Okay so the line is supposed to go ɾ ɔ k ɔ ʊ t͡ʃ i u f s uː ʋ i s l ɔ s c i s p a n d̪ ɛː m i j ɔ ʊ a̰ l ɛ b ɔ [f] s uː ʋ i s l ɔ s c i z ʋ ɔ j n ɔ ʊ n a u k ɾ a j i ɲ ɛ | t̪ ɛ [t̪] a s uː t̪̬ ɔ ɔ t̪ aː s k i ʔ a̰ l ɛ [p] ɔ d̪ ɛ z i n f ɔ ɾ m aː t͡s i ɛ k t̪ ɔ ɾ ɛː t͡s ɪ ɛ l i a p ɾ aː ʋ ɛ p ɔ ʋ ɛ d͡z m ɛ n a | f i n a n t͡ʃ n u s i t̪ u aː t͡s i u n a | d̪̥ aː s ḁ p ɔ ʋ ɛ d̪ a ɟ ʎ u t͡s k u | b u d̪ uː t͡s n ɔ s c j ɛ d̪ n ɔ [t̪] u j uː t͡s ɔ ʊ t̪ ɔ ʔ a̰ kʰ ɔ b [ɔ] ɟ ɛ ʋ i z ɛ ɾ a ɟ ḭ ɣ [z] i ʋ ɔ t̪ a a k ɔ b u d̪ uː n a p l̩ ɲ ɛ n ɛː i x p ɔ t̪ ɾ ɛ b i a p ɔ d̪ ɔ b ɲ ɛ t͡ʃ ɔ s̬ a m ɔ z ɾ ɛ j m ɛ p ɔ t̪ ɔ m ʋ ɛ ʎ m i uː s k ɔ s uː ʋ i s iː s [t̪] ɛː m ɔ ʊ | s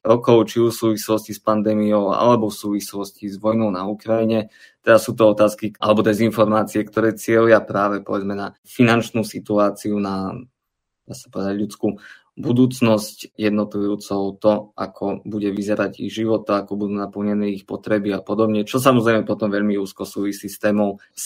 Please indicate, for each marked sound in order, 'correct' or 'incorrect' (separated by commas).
correct, incorrect, incorrect, correct, incorrect, incorrect, correct